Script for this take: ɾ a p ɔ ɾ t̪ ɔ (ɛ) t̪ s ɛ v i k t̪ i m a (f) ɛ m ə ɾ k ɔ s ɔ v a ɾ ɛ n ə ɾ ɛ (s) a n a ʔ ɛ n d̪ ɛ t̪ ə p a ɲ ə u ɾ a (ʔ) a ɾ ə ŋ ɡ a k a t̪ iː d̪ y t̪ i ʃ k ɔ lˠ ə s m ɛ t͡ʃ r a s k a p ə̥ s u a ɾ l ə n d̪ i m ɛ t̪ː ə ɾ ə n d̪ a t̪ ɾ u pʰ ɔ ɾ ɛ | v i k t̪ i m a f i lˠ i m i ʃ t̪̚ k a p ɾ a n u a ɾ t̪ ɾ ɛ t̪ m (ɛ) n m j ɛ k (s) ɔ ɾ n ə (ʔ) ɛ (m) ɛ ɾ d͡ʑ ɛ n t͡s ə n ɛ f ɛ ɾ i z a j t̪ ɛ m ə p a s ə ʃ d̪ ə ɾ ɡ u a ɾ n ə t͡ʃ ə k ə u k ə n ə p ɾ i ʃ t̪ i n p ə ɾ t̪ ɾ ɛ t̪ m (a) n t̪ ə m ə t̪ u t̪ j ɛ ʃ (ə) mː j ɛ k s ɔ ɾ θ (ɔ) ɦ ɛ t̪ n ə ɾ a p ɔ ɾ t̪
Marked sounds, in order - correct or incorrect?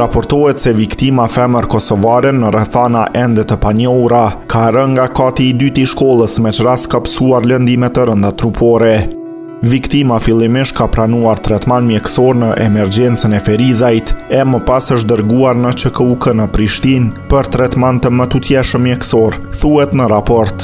correct, correct, incorrect: θ, incorrect: k, incorrect: a, correct, correct, correct, correct, correct, incorrect: u

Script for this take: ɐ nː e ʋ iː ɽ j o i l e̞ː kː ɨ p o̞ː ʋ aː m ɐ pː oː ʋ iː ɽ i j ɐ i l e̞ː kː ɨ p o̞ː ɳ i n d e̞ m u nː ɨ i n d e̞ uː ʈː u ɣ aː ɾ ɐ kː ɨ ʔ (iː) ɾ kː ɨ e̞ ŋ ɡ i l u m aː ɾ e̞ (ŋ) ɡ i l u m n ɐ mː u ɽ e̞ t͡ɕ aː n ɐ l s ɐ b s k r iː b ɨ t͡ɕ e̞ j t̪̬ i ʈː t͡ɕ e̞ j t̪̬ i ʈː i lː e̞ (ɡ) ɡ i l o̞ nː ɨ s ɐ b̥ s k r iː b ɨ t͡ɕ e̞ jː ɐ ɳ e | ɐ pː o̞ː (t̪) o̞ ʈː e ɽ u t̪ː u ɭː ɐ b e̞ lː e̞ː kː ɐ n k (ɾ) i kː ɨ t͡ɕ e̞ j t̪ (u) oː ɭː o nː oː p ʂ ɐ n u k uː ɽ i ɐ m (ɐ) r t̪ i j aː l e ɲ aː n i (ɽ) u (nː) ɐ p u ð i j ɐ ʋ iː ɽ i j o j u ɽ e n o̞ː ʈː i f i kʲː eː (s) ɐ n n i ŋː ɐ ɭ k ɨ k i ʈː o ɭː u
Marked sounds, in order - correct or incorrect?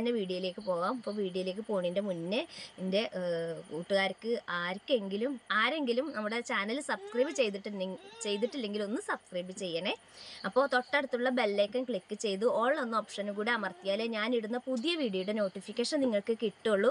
incorrect: aː, correct, incorrect: ŋ, correct, incorrect: ɭ, correct, correct, correct, correct, incorrect: ʂ

